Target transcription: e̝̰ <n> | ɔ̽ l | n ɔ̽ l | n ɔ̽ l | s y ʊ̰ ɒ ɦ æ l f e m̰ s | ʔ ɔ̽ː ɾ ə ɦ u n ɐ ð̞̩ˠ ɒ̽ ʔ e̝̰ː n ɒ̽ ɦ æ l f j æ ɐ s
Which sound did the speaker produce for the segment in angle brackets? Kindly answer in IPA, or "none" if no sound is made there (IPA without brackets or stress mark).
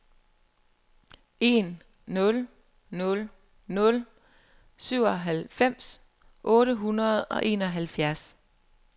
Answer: nː